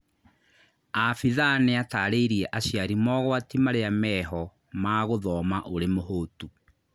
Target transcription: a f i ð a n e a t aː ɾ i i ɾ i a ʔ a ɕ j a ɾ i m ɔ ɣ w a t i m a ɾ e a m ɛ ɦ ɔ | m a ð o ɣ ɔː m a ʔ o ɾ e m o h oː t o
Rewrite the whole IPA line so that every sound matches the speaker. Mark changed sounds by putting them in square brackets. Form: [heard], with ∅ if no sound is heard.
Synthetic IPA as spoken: a f i ð a n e a t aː ɾ [e] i ɾ i [ɛ] ʔ a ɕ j a ɾ i m ɔ ɣ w a t i m a ɾ e a m ɛ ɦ ɔ | m a [ɣ] o [ð] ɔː m a ʔ o ɾ e m o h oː t [u]